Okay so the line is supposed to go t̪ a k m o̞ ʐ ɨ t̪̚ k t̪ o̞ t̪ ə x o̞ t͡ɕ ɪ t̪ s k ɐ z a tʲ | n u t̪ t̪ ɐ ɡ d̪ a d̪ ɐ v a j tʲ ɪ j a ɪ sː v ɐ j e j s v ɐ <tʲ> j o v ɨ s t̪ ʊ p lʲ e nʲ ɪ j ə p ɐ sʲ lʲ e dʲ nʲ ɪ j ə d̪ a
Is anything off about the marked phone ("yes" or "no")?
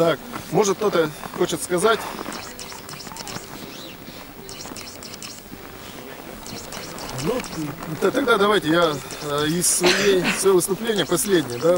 yes